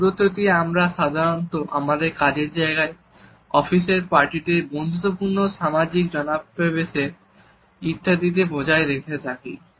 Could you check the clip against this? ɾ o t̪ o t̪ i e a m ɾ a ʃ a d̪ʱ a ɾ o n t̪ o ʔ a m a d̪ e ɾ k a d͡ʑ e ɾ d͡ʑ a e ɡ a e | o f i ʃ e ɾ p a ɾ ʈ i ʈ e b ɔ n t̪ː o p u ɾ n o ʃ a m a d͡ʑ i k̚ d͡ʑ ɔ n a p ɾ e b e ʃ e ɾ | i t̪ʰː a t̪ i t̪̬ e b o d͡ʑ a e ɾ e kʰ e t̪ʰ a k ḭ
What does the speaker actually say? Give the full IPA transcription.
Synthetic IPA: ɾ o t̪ o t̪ i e a m ɾ a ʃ a d̪ʱ a ɾ o n t̪ o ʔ a m a d̪ e ɾ k a d͡ʑ e ɾ d͡ʑ a e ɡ a e | ɔ f i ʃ e ɾ p a ɾ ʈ i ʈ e b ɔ n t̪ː o p u ɾ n o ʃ a m a d͡ʑ i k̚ d͡ʑ ɔ n a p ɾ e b e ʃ e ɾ | i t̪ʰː a d̪ i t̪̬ e b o d͡ʑ a e ɾ e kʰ e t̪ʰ a k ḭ